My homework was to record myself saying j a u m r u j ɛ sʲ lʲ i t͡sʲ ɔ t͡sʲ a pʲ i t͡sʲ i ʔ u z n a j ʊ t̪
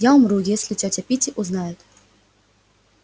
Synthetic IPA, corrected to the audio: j a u m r u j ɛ sʲ lʲ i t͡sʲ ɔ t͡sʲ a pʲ i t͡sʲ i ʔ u z n a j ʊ t̪

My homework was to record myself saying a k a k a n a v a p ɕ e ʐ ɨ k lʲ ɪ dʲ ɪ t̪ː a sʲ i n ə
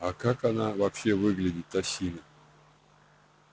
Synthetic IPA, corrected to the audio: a k a k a n a v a p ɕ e v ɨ ɡ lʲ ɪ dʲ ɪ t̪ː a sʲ i n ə

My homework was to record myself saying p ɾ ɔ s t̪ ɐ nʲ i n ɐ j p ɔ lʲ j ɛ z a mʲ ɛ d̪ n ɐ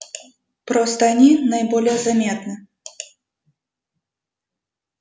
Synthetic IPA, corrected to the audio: p ɾ ɔ s t̪ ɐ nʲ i n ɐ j b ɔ lʲ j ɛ z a mʲ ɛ t̪ n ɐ

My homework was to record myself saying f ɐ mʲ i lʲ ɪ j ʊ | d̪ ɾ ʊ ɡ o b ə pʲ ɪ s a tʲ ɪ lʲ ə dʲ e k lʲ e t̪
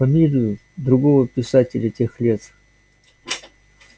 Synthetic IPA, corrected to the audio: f ɐ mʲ i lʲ ɪ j ʊ | d̪ ɾ ʊ ɡ o v ə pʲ ɪ s a tʲ ɪ lʲ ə tʲ e x lʲ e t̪

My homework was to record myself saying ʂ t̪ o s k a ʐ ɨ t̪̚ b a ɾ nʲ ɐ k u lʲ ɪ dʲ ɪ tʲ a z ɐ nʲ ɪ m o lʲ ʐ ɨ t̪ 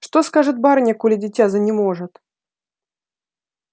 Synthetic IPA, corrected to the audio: ʂ t̪ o s k a ʐ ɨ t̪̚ b a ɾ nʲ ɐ k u lʲ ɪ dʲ ɪ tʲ a z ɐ nʲ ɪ m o ʐ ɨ t̪

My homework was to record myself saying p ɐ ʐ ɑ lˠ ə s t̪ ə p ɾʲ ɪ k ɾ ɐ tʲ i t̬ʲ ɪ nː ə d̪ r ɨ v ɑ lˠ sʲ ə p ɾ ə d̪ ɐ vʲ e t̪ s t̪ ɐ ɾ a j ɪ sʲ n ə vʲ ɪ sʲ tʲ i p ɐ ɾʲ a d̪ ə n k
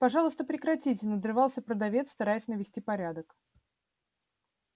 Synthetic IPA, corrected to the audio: p ɐ ʐ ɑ lˠ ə s t̪ ə p ɾʲ ɪ k ɾ ɐ tʲ i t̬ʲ ɪ n ə d̪ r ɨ v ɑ lˠ sʲ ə p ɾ ə d̪ ɐ vʲ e t̪ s t̪ ɐ ɾ a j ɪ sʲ n ə vʲ ɪ sʲ tʲ i p ɐ ɾʲ a d̪ ə k

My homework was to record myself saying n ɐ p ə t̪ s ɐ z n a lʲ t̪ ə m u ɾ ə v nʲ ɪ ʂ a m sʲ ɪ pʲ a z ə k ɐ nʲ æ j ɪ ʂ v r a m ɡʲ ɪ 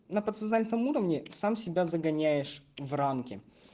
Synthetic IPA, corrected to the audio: n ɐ p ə t̪ s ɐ z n a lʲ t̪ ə m u ɾ ə v nʲ ɪ s a m sʲ ɪ bʲ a z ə ɡ ɐ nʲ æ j ɪ ʂ v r a m kʲ ɪ

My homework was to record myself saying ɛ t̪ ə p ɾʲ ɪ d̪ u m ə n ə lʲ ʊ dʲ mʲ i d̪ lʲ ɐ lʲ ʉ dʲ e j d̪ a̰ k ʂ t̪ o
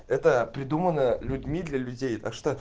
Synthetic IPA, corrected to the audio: ɛ t̪ ə p ɾʲ ɪ d̪ u m ə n ə lʲ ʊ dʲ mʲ i d̪ lʲ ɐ lʲ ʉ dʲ e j t̪ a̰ k ʂ t̪ o

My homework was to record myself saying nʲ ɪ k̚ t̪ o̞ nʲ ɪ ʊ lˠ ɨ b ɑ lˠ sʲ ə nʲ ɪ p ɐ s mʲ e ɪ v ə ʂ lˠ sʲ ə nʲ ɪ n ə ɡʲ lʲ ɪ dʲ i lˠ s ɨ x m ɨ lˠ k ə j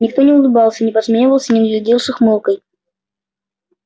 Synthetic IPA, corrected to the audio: nʲ ɪ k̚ t̪ o̞ nʲ ɪ ʊ lˠ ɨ b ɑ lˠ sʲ ə nʲ ɪ p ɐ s mʲ e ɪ v ə lˠ sʲ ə nʲ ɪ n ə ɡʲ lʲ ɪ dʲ i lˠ ʂ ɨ x m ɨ lˠ k ə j

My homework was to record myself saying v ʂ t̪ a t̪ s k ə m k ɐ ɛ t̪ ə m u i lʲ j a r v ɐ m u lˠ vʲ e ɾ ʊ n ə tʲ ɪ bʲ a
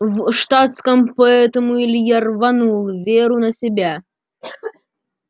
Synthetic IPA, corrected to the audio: v ʂ t̪ a t̪ s k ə m p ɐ ɛ t̪ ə m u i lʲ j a r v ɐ n u lˠ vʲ e ɾ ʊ n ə sʲ ɪ bʲ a

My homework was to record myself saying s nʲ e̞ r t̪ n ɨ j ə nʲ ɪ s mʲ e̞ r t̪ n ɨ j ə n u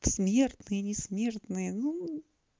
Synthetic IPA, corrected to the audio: s mʲ e̞ r t̪ n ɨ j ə nʲ ɪ s mʲ e̞ r t̪ n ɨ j ə n u

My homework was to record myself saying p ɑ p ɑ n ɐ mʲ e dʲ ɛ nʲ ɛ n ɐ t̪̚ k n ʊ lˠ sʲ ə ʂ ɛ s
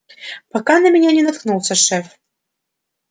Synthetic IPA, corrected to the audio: p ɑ k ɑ n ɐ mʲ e nʲ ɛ nʲ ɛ n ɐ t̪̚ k n u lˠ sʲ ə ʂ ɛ f

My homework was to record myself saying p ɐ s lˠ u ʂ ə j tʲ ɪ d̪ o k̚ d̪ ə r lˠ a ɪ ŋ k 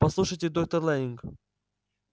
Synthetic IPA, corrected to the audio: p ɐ s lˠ u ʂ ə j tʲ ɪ d̪ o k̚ t̪ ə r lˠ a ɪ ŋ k

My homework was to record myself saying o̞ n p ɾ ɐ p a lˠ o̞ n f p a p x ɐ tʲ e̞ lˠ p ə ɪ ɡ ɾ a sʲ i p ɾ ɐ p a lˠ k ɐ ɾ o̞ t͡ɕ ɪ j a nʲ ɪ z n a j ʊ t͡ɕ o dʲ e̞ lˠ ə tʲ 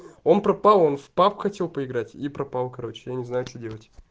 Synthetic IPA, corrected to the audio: o̞ n p ɾ ɐ p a lˠ o̞ n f p a p x ɐ tʲ e̞ lˠ p ə ɪ ɡ ɾ a tʲ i p ɾ ɐ p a lˠ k ɐ ɾ o̞ t͡ɕ ɪ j a nʲ ɪ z n a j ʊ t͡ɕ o dʲ e̞ lˠ ə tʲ

